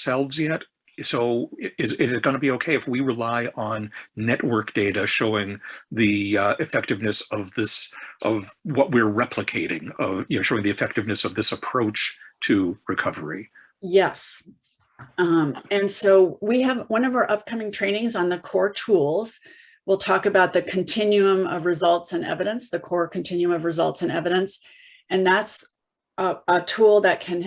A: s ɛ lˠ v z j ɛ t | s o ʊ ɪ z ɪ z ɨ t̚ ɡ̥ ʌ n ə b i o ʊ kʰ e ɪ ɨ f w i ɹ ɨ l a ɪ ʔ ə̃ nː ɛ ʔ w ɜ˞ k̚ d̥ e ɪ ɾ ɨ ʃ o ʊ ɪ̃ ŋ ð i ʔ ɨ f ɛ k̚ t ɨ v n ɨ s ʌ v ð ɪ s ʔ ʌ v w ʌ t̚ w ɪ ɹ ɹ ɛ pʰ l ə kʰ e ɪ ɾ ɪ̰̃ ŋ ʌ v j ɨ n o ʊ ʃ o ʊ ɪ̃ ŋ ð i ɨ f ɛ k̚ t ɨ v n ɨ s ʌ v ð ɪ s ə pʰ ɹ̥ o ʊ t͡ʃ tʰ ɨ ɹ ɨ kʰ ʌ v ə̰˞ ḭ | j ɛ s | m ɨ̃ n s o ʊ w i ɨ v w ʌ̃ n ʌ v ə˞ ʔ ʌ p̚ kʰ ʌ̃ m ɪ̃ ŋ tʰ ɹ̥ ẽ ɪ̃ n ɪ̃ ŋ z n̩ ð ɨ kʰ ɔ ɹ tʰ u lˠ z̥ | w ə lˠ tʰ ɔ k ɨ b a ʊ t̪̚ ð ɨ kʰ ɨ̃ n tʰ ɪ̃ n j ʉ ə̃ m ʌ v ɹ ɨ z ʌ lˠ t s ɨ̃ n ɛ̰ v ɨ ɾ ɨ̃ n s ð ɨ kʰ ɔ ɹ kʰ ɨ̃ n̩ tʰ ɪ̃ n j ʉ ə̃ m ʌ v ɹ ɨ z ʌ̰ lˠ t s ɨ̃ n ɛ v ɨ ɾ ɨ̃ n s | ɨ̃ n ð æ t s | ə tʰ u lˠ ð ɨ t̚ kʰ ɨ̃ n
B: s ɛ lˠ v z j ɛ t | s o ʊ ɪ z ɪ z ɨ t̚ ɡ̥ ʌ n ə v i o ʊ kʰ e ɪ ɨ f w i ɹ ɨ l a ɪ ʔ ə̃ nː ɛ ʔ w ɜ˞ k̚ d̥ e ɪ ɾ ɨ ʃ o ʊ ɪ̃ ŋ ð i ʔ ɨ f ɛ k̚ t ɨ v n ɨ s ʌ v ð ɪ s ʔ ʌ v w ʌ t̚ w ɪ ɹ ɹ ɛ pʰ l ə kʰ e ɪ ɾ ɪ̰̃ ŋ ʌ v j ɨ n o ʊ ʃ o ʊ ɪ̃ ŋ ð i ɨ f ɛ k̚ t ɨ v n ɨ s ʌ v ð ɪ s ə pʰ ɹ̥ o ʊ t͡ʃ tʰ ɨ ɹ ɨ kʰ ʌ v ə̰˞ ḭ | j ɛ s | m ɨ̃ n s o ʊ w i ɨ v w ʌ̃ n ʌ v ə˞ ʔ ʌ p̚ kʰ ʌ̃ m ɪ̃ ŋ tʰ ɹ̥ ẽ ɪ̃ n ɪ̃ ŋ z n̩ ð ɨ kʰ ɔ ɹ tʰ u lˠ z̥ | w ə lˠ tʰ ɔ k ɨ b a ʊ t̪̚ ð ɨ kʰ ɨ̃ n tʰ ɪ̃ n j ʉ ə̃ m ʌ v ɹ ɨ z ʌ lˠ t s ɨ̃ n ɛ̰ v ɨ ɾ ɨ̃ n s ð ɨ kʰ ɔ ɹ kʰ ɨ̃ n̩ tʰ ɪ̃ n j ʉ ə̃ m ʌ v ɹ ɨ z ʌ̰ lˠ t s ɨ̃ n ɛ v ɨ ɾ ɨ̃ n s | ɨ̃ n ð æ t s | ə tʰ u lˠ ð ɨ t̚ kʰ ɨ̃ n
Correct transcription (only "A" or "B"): A